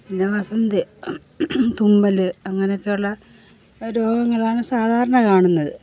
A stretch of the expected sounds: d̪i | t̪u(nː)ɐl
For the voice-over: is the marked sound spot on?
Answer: no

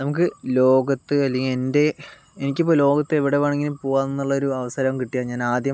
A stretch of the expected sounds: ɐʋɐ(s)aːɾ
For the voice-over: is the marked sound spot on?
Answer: yes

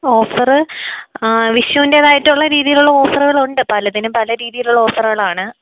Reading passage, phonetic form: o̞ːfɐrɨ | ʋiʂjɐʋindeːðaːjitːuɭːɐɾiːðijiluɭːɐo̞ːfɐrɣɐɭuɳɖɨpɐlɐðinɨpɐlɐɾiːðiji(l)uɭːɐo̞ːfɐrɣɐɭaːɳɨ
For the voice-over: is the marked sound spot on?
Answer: yes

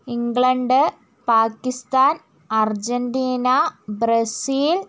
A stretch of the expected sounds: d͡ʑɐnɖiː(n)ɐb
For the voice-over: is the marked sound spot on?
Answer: yes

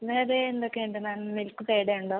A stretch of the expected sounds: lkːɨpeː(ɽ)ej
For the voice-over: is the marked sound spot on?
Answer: yes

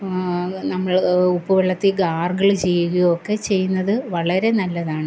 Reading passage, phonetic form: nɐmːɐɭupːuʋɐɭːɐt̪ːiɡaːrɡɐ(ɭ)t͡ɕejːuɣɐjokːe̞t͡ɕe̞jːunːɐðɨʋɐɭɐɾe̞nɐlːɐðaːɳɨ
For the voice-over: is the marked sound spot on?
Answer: yes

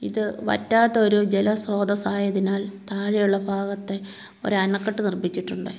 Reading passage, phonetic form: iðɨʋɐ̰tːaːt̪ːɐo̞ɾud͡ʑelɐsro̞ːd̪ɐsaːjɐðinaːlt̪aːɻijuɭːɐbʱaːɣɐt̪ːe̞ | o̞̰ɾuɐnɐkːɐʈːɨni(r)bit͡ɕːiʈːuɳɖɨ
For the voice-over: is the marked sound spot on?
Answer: yes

